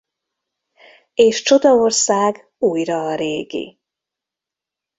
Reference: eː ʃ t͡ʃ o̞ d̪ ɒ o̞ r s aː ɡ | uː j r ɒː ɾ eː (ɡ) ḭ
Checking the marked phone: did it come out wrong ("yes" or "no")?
no